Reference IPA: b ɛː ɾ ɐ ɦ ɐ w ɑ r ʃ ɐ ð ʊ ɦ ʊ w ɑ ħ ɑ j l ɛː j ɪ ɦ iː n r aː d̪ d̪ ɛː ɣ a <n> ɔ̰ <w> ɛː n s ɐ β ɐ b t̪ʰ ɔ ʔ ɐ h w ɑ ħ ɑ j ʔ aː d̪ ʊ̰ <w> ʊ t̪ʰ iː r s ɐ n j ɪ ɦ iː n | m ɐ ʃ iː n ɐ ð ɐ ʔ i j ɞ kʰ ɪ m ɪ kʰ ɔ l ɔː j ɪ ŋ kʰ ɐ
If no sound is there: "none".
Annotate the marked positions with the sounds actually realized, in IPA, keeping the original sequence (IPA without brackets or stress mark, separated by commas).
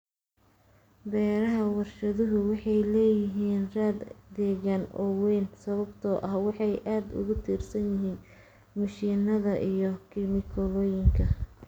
n, w, ɣ